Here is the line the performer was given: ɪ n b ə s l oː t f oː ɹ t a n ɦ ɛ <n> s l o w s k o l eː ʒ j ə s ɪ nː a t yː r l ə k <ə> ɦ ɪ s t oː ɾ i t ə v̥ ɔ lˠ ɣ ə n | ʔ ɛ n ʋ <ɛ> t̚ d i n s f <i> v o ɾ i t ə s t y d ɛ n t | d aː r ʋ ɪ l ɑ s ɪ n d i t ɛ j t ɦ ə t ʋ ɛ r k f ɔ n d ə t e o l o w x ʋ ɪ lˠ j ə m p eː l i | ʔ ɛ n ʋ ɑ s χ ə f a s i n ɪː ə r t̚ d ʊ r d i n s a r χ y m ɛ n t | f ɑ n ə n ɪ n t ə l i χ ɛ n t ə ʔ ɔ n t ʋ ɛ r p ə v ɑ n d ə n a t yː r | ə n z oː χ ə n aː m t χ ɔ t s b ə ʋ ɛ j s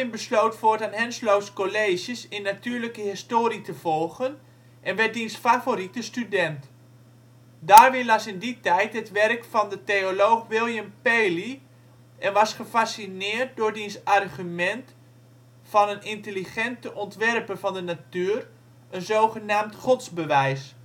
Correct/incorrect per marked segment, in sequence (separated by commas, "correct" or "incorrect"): correct, correct, correct, incorrect